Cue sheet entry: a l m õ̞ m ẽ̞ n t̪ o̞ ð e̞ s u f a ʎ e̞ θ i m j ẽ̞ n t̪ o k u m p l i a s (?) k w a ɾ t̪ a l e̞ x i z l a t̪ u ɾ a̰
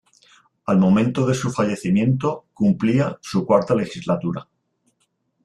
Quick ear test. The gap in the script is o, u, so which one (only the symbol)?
u